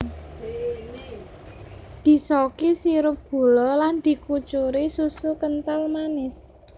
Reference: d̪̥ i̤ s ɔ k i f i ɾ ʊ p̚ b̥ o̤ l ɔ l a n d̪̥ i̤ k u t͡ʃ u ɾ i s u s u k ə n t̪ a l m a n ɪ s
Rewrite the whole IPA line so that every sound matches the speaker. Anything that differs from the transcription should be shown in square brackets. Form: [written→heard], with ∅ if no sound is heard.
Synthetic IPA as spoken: d̪̥ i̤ s ɔ k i [f→s] i ɾ ʊ p̚ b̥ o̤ l ɔ l a n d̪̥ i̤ k u t͡ʃ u ɾ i s u s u k ə n t̪ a l m a n ɪ s